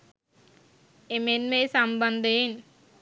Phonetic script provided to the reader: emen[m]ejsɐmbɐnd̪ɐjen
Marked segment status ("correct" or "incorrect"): correct